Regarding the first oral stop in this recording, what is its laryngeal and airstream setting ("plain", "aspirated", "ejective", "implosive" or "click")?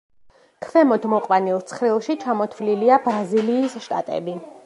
aspirated